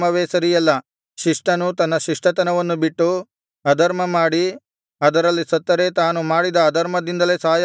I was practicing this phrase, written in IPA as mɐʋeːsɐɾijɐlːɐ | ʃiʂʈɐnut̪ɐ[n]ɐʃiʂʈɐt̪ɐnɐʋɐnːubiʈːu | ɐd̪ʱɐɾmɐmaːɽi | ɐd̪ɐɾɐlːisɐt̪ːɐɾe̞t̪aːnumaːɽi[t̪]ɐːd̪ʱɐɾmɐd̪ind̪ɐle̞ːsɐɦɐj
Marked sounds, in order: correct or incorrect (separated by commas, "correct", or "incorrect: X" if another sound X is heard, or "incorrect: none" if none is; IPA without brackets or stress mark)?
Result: incorrect: nː, incorrect: d̪